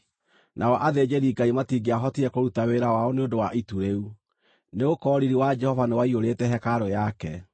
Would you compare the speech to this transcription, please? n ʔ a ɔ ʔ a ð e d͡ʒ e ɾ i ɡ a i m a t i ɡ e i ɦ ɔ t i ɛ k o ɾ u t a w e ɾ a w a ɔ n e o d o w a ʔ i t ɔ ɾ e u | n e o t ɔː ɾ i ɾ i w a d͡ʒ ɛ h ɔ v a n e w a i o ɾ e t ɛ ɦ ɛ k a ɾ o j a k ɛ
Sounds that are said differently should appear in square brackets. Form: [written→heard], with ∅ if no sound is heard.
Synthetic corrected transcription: n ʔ a ɔ ʔ a ð e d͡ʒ e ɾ i ɡ a i m a t i ɡ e [i→a] ɦ ɔ t i ɛ k o ɾ u t a w e ɾ a w a ɔ n e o d o w a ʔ i t [ɔ→u] ɾ e u | n e o [t→k] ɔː ɾ i ɾ i w a d͡ʒ ɛ h ɔ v a n e w a i o ɾ e t ɛ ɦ ɛ k a ɾ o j a k ɛ